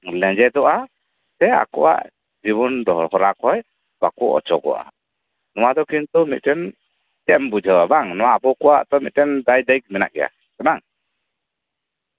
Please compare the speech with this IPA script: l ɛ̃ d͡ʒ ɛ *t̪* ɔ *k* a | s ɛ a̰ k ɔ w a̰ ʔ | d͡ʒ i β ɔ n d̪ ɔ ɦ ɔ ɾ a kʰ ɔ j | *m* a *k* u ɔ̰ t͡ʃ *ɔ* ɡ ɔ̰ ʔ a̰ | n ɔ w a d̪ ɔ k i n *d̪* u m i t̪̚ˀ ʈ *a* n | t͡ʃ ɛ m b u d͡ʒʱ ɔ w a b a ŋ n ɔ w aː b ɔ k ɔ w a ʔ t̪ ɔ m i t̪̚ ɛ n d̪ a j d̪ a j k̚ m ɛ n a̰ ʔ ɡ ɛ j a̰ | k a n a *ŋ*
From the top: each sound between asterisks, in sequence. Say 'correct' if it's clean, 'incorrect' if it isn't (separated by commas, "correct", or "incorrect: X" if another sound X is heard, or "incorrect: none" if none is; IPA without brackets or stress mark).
incorrect: d̪, incorrect: ʔ, incorrect: b, correct, correct, incorrect: t̪, incorrect: ɛ, correct